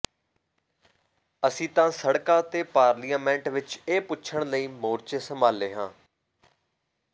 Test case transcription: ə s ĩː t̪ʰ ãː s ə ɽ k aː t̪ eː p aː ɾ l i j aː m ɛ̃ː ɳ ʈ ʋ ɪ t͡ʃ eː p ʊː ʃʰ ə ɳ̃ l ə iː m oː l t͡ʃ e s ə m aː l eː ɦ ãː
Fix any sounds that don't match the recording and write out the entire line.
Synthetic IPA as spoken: ə s ĩː t̪ ãː s ə ɽ k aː t̪ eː p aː ɾ l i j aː m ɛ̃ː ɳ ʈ ʋ ɪ t͡ʃ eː p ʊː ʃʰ ə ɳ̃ l ə iː m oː ɾ t͡ʃ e s ə m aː l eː ɦ ãː